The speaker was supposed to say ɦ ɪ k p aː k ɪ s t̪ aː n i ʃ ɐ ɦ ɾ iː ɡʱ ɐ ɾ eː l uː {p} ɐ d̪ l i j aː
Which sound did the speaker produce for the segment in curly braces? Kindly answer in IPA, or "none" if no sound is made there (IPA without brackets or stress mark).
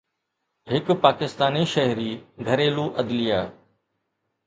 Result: ʔ